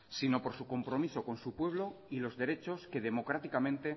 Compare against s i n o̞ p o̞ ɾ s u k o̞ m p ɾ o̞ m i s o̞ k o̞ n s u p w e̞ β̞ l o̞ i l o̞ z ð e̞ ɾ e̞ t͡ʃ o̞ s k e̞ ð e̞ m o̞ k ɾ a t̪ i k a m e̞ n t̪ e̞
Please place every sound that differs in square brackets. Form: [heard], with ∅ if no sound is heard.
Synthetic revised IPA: s i n o̞ p o̞ ɾ s u k o̞ m p ɾ o̞ m i s o̞ k o̞ n s u p w e̞ β̞ l o̞ i l o̞ z ð e̞ ɾ e̞ t͡ʃ o̞ s k e̞ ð e̞ m o̞ k ɾ a t̪ i k a m [ẽ̞] n t̪ e̞